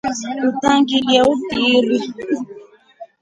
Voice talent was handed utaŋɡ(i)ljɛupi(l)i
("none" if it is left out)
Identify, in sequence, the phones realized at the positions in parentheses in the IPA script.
i, ɾ

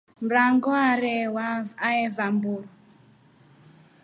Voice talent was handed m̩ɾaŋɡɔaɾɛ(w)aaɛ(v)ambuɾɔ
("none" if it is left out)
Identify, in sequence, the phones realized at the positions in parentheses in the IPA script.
w, v

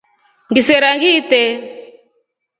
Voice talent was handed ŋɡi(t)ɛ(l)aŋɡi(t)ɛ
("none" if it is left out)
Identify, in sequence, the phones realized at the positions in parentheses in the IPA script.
s, ɾ, t

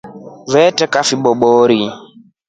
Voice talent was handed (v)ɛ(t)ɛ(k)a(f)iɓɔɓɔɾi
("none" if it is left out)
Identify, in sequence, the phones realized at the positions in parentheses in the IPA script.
v, t, k, f

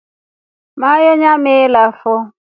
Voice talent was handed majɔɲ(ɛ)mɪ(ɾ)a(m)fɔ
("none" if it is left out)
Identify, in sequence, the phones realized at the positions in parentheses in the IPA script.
a, l, none

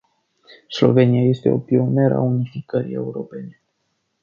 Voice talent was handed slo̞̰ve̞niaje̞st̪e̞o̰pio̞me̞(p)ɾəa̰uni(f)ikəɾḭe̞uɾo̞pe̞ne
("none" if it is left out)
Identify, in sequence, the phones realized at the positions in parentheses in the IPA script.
none, f

